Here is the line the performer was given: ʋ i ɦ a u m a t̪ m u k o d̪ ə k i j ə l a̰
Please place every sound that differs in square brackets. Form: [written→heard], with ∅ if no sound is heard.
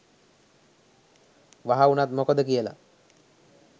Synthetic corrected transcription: ʋ [i→a] ɦ a u [m→n] a t̪ m [u→o] k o d̪ ə k i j ə l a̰